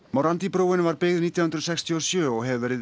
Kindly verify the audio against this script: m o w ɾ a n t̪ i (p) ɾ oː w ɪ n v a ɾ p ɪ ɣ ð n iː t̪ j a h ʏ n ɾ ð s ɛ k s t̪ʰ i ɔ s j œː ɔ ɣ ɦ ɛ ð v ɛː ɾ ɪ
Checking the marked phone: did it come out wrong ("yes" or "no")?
no